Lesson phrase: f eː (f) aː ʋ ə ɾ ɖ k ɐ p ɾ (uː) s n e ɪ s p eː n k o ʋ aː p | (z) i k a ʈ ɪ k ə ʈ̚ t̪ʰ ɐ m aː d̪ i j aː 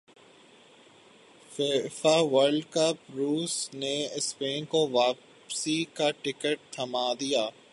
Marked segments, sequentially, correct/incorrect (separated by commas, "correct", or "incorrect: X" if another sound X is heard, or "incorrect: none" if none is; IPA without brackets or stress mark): correct, correct, incorrect: s